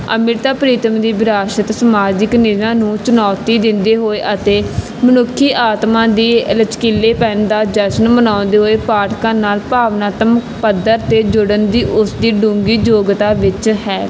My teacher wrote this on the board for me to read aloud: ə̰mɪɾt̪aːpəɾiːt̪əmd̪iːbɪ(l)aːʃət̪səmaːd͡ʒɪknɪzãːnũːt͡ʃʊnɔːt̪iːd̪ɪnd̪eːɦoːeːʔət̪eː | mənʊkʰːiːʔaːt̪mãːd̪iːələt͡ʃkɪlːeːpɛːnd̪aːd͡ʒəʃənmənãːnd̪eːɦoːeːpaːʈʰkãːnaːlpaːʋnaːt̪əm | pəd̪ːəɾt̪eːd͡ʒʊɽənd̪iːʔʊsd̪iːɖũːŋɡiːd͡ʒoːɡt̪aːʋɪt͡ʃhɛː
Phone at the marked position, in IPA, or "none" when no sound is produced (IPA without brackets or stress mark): ɾ